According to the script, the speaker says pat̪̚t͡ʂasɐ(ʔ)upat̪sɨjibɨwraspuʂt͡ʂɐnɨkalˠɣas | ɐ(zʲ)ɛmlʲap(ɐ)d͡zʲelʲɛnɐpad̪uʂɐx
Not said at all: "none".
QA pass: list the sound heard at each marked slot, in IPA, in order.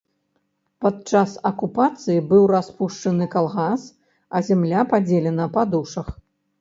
k, zʲ, a

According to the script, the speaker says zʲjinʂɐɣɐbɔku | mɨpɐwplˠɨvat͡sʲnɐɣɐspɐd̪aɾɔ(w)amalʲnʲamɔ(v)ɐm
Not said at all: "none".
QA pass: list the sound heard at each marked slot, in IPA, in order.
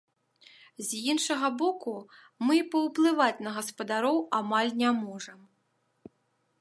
w, ʐ

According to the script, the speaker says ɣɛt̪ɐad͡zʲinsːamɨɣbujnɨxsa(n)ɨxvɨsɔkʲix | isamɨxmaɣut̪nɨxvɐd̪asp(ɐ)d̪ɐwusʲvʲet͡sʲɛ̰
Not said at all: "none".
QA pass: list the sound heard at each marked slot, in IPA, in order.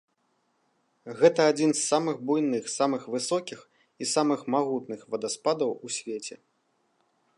m, a

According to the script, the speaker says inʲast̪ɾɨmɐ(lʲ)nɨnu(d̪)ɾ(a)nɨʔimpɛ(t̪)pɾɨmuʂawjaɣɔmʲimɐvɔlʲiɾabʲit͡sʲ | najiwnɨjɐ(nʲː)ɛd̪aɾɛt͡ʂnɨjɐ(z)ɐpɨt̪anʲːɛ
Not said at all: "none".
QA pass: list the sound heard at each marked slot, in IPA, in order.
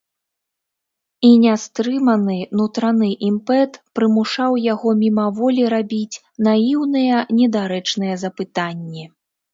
none, t̪, a, t̪, nʲ, z

